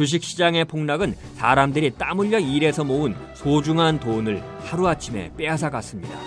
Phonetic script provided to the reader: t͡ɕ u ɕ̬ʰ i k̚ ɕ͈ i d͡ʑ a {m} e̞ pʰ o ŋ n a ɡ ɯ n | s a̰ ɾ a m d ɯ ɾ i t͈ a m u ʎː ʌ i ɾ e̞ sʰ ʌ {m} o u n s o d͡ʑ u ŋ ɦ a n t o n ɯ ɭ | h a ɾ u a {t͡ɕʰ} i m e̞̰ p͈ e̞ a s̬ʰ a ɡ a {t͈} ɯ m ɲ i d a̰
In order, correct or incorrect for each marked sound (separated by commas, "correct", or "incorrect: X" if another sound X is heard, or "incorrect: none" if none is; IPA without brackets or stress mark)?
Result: incorrect: ŋ, correct, correct, incorrect: s͈